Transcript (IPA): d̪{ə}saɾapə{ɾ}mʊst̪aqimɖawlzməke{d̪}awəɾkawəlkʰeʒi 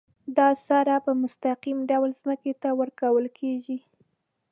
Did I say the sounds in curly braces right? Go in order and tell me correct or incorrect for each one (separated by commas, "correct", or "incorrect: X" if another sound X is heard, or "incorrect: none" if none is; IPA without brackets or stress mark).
incorrect: ɑ, incorrect: none, incorrect: t̪